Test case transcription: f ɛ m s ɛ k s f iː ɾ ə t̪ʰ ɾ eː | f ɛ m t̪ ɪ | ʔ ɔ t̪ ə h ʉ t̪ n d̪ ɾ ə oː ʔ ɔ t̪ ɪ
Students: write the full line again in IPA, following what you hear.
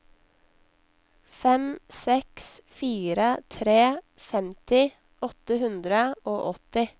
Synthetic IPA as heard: f ɛ m s ɛ k s f iː ɾ ə t̪ʰ ɾ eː | f ɛ m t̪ ɪ | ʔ ɔ t̪ ə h ʉ n d̪ ɾ ə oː ʔ ɔ t̪ ɪ

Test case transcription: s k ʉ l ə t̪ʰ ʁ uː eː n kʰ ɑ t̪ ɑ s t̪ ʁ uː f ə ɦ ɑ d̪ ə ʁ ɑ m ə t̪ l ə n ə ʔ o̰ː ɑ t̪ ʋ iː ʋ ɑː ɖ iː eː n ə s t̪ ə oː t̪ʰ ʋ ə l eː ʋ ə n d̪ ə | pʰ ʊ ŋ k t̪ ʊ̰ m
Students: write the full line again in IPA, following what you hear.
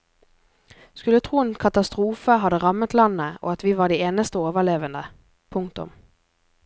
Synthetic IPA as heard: s k ʉ l ə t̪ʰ ʁ uː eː n kʰ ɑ t̪ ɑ s t̪ ʁ uː f ə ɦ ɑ d̪ ə ʁ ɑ m ə t̪ l ɑ n ə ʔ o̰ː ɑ t̪ ʋ iː ʋ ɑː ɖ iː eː n ə s t̪ ə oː ʋ ə l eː ʋ ə n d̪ ə | pʰ ʊ ŋ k t̪ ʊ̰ m

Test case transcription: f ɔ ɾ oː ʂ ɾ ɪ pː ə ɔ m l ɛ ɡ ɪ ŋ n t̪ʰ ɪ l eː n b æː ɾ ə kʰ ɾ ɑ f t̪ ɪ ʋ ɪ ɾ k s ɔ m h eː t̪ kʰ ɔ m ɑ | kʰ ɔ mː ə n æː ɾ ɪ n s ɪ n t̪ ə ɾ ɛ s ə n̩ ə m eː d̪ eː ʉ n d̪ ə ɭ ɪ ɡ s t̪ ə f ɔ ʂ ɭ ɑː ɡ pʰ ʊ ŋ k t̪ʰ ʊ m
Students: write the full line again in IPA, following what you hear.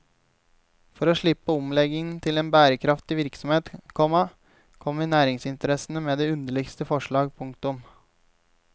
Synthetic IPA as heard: f ɔ ɾ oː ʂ ɭ ɪ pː ə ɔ m l ɛ ɡ ɪ ŋ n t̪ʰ ɪ l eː n b æː ɾ ə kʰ ɾ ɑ f t̪ ɪ ʋ ɪ ɾ k s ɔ m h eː t̪ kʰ ɔ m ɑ | kʰ ɔ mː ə n æː ɾ ɪ ŋ s ɪ n t̪ ə ɾ ɛ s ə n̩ ə m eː d̪ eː ʉ n d̪ ə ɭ ɪ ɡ s t̪ ə f ɔ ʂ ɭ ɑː ɡ pʰ ʊ ŋ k t̪ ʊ m

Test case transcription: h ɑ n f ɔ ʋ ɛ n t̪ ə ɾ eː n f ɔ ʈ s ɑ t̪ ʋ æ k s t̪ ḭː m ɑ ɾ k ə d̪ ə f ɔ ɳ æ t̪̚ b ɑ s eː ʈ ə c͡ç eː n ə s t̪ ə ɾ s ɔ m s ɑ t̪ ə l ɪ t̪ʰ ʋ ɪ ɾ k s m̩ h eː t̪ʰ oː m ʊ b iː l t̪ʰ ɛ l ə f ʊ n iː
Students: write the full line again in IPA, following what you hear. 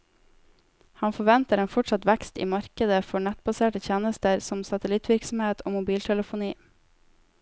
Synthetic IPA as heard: h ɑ n f ɔ ʋ ɛ n t̪ ə ɾ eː n f ɔ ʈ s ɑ t̪ ʋ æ k s t̪ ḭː m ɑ ɾ k ə d̪ ə f ɔ ɳ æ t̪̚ b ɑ s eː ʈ ə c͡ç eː n ə s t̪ ə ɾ s ɔ m s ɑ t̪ ə l ɪ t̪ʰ ʋ ɪ ɾ k s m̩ h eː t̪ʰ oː m ʊ b iː l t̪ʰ ɛ l ə f ʊ n iː

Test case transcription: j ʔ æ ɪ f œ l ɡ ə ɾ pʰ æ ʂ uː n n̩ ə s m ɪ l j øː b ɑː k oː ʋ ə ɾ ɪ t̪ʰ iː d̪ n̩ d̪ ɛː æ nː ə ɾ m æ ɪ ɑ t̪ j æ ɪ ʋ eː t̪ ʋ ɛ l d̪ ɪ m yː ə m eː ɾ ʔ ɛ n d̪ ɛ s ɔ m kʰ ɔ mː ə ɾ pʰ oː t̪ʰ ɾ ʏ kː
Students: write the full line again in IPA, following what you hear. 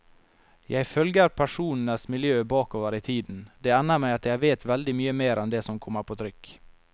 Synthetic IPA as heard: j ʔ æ ɪ f œ l ɡ ə ɾ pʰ æ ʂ uː n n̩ ə s m ɪ l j øː b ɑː k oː ʋ ə ɾ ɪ t̪ʰ iː d̪ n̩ d̪ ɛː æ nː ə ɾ m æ ɪ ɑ t̪ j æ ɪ ʋ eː t̪ ʋ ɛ l d̪ ɪ m yː ə m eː ɾ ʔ ɛ n d̪ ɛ s ɔ m kʰ ɔ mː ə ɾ pʰ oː t̪ʰ ɾ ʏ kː

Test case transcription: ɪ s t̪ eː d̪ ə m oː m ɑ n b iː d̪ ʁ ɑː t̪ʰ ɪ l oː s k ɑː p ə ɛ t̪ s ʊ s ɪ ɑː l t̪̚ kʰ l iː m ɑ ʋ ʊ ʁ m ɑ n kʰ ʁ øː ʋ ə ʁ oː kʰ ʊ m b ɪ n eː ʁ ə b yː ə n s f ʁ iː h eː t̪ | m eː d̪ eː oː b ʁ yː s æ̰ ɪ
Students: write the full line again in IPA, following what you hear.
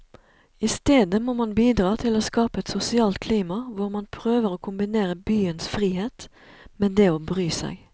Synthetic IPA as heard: ɪ s t̪ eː d̪ ə m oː m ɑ n b iː d̪ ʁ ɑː t̪ʰ ɪ l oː s k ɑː p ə ɛ t̪ s ʊ s ɪ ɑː l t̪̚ kʰ l iː m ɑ ʋ ʊ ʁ m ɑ n pʰ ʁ øː ʋ ə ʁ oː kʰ ʊ m b ɪ n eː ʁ ə b yː ə n s f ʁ iː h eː t̪ | m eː d̪ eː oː b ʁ yː s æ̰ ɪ

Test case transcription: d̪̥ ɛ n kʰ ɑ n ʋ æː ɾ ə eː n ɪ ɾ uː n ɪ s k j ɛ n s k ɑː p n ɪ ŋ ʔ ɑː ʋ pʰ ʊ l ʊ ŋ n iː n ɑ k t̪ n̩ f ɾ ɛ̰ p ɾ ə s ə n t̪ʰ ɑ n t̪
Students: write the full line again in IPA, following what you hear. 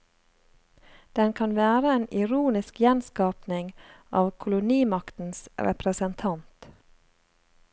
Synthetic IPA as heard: d̪̥ ɛ n kʰ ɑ n ʋ æː ɾ ə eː n ɪ ɾ uː n ɪ s k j ɛ n s k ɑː p n ɪ ŋ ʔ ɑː ʋ kʰ ʊ l ʊ n iː m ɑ k t̪ n̩ s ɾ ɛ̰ p ɾ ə s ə n t̪ʰ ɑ n t̪

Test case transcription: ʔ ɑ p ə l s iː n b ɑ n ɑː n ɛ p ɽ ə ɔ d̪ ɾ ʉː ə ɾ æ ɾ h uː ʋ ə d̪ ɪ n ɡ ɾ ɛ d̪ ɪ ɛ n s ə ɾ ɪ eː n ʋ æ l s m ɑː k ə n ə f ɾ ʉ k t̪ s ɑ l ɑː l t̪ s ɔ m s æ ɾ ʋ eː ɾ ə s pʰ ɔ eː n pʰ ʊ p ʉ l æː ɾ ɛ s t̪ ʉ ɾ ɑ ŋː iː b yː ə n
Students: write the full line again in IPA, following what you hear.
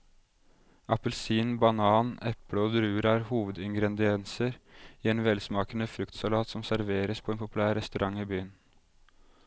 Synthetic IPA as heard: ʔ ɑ p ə l s iː n b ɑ n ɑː n ɛ p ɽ ə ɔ d̪ ɾ ʉː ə ɾ æ ɾ h uː ʋ ə d̪ ɪ ŋ ɡ ɾ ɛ d̪ ɪ ɛ n s ə ɾ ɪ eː n ʋ ɛ l s m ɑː k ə n ə f ɾ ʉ k t̪ s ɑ l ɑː t̪ s ɔ m s æ ɾ ʋ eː ɾ ə s pʰ ɔ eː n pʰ ʊ p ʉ l æː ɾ ɛ s t̪ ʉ ɾ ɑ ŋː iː b yː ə n

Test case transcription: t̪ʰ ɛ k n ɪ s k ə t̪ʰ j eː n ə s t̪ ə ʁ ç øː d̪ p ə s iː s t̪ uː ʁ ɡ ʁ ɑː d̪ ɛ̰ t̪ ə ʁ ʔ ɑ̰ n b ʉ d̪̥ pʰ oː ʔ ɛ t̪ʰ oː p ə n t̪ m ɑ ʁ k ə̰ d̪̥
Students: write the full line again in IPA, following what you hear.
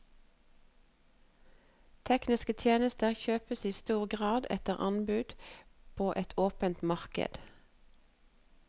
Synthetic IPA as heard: t̪ʰ ɛ k n ɪ s k ə t̪ʰ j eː n ə s t̪ ə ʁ ç øː p ə s iː s t̪ uː ʁ ɡ ʁ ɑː d̪ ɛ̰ t̪ ə ʁ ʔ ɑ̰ n b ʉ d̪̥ pʰ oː ʔ ɛ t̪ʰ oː p ə n t̪ m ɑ ʁ k ə̰ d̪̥

